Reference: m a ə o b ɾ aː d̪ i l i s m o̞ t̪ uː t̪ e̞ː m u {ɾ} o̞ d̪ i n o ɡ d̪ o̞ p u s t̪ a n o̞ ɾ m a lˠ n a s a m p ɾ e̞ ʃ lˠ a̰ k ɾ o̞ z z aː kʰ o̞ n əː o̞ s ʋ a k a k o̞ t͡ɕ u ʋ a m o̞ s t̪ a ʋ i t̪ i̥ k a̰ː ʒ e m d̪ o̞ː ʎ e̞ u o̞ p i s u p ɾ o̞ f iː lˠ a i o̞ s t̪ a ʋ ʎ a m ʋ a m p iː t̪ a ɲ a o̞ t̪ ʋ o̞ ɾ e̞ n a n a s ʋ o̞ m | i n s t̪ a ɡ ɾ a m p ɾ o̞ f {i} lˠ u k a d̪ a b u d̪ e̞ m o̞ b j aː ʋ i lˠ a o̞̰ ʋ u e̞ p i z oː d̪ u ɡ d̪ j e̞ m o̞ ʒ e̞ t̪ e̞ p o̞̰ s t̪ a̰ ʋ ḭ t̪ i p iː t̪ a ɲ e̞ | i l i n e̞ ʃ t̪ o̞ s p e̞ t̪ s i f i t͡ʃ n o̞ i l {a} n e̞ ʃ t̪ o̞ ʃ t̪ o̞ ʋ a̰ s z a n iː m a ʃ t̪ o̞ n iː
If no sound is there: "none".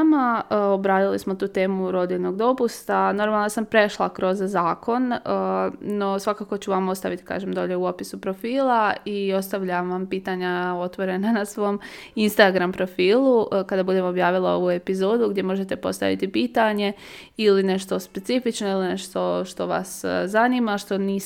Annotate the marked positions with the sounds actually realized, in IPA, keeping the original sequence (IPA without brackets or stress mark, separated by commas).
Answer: ɾ, iː, i